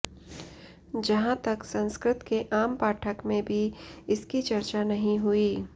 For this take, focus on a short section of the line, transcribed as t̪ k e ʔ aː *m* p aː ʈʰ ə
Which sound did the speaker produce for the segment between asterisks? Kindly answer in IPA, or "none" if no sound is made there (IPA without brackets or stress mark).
m